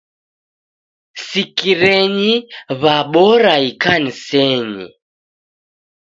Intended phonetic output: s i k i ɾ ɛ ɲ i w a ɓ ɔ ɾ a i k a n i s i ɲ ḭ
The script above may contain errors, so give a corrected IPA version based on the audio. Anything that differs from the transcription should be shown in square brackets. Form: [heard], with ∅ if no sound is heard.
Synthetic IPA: s i k i ɾ ɛ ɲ i [β] a ɓ ɔ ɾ a i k a n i s [ɛ] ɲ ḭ